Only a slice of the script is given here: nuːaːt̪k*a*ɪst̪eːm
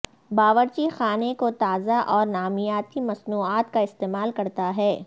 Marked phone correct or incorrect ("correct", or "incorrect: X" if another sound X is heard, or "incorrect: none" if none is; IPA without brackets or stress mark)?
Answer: correct